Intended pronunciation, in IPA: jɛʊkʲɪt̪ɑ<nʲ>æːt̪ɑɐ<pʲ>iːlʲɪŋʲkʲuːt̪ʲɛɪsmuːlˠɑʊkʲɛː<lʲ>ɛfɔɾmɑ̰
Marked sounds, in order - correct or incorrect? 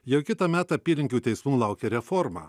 incorrect: mʲ, correct, incorrect: ɾʲ

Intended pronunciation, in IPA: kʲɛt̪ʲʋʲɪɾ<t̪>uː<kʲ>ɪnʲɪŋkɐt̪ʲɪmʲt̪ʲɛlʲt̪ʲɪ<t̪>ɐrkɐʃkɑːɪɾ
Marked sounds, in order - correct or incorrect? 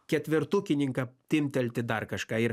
correct, correct, incorrect: d̪

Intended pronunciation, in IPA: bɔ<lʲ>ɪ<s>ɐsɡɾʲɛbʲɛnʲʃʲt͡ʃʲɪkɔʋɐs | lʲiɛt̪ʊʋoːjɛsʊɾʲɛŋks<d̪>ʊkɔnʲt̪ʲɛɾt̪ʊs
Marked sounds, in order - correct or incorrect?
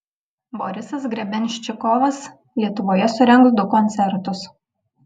incorrect: ɾʲ, correct, correct

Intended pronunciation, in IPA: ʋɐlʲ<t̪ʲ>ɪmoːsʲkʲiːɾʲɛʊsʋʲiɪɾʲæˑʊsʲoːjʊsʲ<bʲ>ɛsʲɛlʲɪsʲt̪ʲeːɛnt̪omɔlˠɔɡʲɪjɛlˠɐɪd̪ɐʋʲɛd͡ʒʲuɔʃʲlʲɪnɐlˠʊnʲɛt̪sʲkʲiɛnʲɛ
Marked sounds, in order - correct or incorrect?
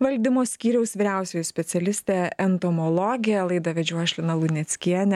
incorrect: d̪ʲ, incorrect: pʲ

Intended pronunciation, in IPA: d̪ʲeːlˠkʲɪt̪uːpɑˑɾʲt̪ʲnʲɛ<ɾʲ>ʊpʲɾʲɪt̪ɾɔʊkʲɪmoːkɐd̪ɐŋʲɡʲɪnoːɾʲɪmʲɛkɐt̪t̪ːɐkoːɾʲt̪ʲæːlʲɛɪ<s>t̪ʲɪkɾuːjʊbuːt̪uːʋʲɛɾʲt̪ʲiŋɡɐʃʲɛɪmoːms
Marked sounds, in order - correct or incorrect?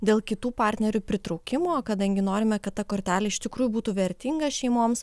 correct, incorrect: ʃ

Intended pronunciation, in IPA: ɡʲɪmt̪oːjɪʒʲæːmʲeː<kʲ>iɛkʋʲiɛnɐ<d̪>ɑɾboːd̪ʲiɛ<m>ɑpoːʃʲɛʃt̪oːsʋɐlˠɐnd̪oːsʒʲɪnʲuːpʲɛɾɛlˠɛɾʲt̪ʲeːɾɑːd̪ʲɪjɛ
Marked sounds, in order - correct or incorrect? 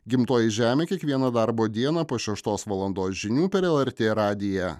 correct, correct, incorrect: n

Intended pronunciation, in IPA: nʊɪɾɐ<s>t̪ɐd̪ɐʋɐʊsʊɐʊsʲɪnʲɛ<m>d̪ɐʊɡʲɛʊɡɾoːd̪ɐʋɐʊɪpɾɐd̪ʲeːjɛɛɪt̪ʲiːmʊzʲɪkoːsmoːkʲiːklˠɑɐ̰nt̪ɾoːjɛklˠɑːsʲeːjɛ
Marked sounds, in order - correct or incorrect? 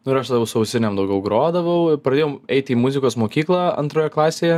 incorrect: ʃ, correct

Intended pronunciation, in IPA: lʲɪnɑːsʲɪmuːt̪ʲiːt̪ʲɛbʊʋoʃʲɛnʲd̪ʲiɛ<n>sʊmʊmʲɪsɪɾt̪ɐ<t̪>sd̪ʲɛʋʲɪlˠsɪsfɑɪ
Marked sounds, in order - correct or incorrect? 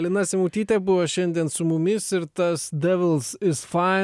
correct, incorrect: none

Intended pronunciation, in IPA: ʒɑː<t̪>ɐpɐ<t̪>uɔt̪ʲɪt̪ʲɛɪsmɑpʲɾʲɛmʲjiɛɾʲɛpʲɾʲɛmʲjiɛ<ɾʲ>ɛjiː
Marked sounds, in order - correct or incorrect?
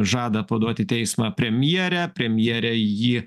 incorrect: d̪, incorrect: d̪, correct

